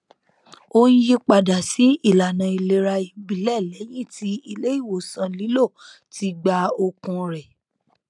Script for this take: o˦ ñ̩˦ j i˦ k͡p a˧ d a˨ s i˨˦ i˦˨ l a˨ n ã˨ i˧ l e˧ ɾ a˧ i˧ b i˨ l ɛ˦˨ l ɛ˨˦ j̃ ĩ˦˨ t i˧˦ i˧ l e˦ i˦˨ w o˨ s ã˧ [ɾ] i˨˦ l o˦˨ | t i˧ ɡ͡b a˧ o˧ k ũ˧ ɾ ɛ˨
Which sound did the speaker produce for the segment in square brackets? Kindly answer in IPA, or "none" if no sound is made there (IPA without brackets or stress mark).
l